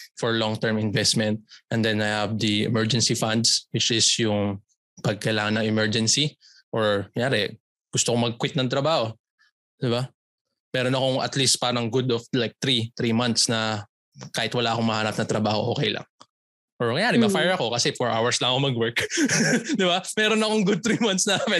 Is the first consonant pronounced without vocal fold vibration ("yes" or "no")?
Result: yes